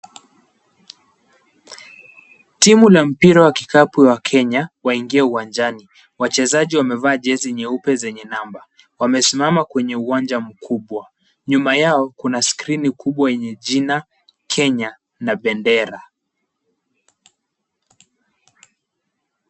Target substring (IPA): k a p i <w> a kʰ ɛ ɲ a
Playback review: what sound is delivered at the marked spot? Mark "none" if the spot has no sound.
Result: w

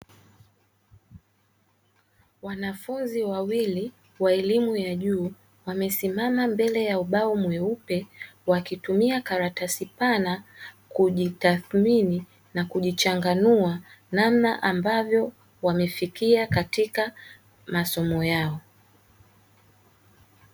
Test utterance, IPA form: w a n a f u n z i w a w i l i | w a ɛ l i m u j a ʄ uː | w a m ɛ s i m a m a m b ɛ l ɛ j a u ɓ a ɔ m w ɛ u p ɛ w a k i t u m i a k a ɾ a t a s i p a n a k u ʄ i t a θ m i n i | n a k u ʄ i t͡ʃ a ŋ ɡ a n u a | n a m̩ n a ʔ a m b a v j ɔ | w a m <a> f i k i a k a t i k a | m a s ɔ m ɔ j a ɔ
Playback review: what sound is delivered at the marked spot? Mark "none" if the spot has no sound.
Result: ɛ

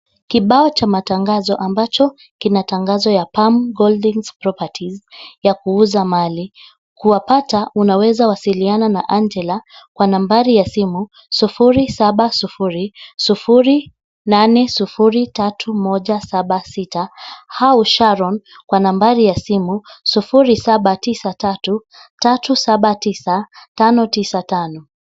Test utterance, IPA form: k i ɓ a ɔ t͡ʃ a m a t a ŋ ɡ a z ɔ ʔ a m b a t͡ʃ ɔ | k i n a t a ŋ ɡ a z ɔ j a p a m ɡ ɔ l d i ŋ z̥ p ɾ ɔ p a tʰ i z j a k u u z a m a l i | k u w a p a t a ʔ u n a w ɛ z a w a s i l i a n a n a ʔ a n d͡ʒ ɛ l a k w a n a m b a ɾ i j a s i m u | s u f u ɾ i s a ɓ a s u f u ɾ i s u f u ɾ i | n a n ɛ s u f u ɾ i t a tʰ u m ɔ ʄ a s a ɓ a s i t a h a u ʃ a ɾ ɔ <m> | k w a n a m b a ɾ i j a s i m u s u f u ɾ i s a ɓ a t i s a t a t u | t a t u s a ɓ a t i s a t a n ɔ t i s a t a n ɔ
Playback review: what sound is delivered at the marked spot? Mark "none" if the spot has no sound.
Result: n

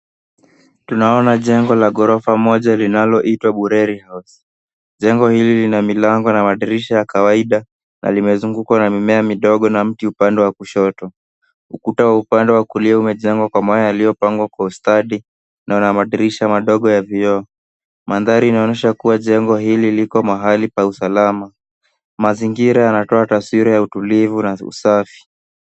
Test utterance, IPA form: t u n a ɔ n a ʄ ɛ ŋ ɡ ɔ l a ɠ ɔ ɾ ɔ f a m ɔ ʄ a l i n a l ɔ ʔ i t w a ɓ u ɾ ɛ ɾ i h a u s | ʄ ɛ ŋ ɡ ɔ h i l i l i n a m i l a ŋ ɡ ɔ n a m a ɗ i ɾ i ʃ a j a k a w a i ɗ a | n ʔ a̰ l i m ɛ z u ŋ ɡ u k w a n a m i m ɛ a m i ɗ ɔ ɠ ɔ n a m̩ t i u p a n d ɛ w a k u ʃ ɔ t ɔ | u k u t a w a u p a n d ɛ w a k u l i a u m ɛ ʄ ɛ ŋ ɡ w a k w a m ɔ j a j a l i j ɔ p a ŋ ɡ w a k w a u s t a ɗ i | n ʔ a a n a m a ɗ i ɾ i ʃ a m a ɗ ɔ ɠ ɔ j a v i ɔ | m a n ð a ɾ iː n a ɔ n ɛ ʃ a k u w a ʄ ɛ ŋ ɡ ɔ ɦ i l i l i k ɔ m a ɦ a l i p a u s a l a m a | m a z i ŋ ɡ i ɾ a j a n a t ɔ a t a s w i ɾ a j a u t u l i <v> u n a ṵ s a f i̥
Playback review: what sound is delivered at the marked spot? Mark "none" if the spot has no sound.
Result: v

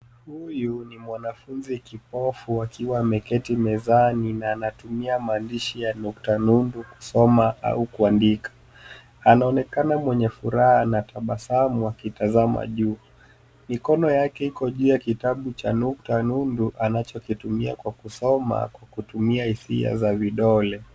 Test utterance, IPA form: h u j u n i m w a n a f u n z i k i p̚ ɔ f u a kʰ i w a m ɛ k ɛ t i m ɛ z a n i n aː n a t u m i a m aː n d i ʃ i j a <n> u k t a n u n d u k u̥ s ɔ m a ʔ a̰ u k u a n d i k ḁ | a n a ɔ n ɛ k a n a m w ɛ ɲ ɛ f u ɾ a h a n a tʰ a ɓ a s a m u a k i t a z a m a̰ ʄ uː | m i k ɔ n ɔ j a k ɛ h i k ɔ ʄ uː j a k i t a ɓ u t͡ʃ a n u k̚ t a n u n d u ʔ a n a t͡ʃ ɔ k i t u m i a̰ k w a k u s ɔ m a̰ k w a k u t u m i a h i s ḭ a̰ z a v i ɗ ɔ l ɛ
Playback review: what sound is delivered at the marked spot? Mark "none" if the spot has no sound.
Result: n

